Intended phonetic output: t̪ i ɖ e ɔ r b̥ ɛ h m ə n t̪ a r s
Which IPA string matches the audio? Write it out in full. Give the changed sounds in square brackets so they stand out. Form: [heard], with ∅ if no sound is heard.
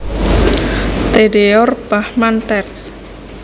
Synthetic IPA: t̪ [e] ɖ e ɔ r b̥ [a] h m [a] n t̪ [ɛ] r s